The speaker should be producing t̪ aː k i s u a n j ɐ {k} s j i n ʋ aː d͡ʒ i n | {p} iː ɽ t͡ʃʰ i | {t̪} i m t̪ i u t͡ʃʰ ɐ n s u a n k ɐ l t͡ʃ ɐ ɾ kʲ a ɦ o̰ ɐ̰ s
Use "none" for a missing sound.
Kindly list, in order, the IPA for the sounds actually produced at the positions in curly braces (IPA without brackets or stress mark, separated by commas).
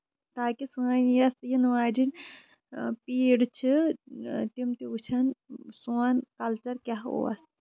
none, p, t̪